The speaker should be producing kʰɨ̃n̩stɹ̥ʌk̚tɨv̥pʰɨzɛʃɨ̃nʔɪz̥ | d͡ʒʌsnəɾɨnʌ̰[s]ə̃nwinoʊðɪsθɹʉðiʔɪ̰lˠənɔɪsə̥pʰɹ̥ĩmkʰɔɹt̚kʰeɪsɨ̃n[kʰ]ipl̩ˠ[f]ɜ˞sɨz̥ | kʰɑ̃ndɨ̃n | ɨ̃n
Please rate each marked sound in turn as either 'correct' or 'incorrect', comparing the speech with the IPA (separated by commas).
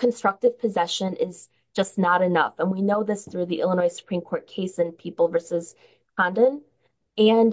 incorrect, incorrect, incorrect